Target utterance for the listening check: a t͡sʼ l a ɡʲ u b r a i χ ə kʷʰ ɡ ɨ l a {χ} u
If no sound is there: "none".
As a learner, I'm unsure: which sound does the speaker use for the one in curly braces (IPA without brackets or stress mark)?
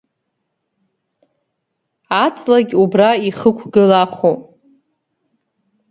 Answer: χ